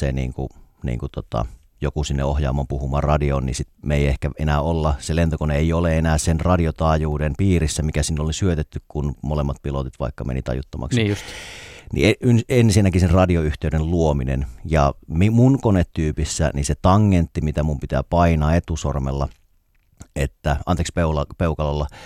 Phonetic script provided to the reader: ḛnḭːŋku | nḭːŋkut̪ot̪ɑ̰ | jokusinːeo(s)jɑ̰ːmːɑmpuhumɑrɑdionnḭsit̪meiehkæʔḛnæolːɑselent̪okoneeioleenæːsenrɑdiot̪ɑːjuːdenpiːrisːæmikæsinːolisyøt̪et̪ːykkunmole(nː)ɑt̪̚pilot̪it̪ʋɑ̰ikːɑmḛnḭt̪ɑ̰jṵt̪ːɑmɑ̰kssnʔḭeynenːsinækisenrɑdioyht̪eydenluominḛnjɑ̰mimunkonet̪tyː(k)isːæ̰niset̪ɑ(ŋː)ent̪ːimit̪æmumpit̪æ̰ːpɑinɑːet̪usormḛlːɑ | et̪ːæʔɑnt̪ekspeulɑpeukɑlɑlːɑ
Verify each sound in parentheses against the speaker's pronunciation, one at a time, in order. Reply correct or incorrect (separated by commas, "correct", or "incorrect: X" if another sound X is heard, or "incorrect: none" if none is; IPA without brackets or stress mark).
incorrect: h, incorrect: mː, incorrect: p, correct